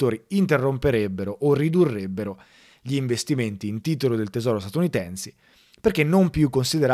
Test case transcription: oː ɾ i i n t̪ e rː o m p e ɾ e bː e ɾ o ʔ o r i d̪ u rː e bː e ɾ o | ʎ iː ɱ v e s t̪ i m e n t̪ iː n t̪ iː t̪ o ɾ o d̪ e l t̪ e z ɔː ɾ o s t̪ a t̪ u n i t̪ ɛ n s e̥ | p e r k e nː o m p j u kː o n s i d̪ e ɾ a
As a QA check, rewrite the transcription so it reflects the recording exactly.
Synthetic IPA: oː ɾ i i n t̪ e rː o m p e ɾ e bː e ɾ o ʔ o r i d̪ u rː e bː e ɾ o | ʎ iː ɱ v e s t̪ i m e n t̪ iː n t̪ iː t̪ o l o d̪ e l t̪ e z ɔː ɾ o s t̪ a t̪ u n i t̪ ɛ n s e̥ | p e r k e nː o m p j u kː o n s i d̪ e ɾ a